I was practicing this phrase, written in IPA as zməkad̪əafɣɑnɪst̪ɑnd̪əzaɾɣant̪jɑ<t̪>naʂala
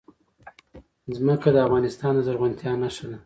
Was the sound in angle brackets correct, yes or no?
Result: no